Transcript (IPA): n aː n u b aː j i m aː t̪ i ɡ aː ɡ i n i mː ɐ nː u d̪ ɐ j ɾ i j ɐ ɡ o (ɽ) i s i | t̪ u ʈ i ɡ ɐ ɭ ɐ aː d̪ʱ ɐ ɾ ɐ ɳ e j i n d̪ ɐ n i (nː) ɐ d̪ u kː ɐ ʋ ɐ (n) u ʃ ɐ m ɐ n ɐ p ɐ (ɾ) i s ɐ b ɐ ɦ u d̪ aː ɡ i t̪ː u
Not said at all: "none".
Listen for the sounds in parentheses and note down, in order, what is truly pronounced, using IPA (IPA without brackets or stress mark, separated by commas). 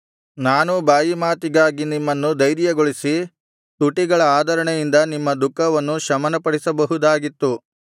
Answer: ɭ, mː, nː, ɽ